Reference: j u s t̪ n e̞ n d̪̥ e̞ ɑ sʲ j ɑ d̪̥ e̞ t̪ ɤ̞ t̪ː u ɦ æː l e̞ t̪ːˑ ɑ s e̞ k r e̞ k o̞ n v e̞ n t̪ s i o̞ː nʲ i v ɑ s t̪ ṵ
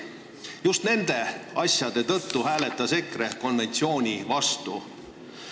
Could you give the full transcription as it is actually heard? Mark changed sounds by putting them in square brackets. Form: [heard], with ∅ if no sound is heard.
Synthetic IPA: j u s t̪ n e̞ n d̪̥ e̞ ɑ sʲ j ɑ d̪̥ e̞ t̪ ɤ̞ t̪ː u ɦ æː l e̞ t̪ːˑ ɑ s e̞ k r e̞ k o̞ n v e̞ n t̪ s i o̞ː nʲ i v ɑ s t̪ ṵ

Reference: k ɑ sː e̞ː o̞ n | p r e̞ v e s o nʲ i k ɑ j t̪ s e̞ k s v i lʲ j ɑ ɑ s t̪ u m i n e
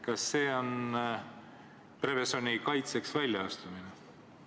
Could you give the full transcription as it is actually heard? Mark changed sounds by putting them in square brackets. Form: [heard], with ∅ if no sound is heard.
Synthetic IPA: k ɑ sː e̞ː o̞ n | p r e̞ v e s o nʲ i k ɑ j t̪ s e̞ k s v [æ] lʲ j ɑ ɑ s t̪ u m i n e

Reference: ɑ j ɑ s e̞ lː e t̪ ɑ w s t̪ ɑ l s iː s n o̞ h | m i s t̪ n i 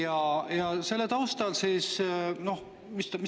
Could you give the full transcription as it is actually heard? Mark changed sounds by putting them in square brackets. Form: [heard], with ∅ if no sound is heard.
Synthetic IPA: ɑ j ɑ s e̞ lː e t̪ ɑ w s t̪ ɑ l s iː s n o̞ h | m i s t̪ [m] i

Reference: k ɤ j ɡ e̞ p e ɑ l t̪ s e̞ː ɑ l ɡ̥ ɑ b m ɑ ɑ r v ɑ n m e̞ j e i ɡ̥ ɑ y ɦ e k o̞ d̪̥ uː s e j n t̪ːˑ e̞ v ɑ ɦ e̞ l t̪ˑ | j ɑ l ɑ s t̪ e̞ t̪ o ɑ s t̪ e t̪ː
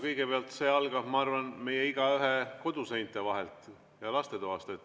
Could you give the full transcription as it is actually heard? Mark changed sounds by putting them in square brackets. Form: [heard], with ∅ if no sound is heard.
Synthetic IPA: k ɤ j ɡ e̞ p e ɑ l t̪ s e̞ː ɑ l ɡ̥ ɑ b m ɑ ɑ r v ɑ n m e̞ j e i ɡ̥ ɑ y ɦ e k o̞ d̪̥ [u] s e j n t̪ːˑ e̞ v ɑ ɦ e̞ l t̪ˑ | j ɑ l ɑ s t̪ e̞ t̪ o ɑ s t̪ e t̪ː

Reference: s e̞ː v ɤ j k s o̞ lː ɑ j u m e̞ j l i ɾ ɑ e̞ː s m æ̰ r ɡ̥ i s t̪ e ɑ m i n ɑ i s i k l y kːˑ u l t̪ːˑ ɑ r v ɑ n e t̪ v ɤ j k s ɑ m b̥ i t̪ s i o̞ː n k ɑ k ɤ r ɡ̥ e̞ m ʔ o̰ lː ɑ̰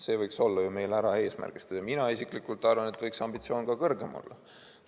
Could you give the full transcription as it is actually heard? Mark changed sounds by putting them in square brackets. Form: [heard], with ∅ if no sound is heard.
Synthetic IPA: s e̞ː v ɤ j k s o̞ lː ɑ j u m e̞ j l [æ] ɾ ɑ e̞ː s m æ̰ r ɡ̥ i s t̪ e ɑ m i n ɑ i s i k l [i] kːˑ u l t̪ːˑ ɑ r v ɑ n e t̪ v ɤ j k s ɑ m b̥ i t̪ s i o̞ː n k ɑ k ɤ r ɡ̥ e̞ m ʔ o̰ lː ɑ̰

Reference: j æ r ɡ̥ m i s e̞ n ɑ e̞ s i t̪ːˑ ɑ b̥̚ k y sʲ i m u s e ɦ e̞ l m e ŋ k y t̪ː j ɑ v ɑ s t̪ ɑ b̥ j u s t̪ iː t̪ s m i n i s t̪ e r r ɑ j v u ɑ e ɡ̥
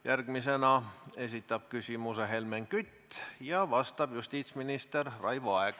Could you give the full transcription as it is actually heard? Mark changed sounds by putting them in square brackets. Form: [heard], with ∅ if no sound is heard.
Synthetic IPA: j æ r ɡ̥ m i s e̞ n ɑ e̞ s i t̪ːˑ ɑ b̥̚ k y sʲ i m u s e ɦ e̞ l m e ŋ k y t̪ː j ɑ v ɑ s t̪ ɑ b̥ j u s t̪ iː t̪ s m i n i s t̪ e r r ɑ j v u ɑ e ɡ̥

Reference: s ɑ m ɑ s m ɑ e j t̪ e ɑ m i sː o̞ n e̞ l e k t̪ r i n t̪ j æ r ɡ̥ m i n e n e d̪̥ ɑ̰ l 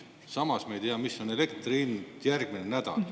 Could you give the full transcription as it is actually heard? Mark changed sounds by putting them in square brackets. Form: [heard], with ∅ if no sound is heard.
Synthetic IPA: s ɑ m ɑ s m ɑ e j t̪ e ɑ m i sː o̞ n e̞ l e k t̪ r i n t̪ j æ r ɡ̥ m i n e n [æ] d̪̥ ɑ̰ l

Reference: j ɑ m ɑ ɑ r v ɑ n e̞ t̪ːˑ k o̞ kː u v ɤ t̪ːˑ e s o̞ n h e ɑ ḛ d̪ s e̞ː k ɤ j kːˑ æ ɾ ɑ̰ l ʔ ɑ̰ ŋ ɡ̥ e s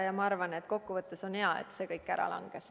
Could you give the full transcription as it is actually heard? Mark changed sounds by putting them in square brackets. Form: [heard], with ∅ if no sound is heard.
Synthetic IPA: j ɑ m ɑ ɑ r v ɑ n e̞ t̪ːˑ k o̞ kː u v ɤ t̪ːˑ e s o̞ n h e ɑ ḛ [t̪] s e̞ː k ɤ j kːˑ æ ɾ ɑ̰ l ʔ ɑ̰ ŋ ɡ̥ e s

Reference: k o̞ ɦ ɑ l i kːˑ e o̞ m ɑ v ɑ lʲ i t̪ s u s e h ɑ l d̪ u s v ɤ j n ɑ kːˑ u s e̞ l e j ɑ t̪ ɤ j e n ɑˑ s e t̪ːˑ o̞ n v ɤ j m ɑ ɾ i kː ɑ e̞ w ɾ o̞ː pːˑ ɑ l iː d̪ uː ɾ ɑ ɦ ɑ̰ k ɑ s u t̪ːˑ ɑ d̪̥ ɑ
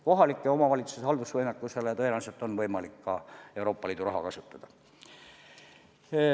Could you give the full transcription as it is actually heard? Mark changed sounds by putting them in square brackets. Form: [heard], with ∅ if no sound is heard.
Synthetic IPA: k o̞ ɦ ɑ l i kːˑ e o̞ m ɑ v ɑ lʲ i t̪ s u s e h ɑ l d̪ u s v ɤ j n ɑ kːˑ u s e̞ l e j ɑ t̪ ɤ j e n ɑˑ s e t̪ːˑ o̞ n v ɤ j m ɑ [l] i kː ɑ e̞ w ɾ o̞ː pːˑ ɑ l iː d̪ [u] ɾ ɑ ɦ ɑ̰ k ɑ s u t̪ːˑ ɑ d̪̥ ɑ

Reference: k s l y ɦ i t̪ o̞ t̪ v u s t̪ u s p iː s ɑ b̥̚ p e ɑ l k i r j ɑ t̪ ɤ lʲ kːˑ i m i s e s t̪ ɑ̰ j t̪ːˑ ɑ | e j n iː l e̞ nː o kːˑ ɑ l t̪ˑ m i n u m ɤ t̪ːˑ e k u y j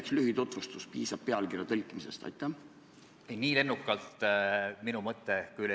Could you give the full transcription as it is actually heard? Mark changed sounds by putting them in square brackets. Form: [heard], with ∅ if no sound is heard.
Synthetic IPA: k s l y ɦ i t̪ o̞ t̪ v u s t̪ u s p iː s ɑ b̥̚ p e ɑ l k i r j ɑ t̪ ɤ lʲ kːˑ i m i s e s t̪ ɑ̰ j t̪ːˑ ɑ | e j n iː l e̞ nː [u] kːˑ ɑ l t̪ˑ m i n u m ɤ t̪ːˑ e k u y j

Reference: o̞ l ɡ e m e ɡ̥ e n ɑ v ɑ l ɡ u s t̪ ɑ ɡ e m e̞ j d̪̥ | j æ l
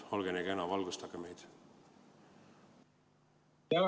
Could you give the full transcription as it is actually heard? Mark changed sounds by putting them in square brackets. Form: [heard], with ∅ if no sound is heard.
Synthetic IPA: o̞ l ɡ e [n] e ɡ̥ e n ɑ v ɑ l ɡ u s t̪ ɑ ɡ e m e̞ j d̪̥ | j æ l

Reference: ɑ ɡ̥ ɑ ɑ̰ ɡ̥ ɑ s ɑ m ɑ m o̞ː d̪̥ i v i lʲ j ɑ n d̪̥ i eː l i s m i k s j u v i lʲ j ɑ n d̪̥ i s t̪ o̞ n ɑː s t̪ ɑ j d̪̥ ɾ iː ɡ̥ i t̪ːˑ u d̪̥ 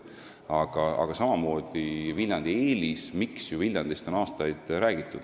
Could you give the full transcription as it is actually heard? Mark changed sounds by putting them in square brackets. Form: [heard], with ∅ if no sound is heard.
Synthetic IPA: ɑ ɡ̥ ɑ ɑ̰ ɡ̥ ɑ s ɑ m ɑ m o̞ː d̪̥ i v i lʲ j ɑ n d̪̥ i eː l i s m i k s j u v i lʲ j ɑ n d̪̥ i s t̪ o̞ n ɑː s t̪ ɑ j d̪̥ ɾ [æː] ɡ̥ i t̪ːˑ u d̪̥

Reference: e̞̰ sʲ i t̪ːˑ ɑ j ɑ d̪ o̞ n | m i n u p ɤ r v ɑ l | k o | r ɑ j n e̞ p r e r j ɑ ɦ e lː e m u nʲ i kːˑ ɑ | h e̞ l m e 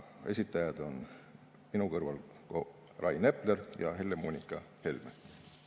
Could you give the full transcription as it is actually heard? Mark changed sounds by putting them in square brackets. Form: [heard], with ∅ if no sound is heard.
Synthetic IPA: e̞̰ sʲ i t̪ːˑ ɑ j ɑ d̪ o̞ n | m i n u [k] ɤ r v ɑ l | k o | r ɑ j n e̞ p [l] e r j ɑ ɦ e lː e m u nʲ i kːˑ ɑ | h e̞ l m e

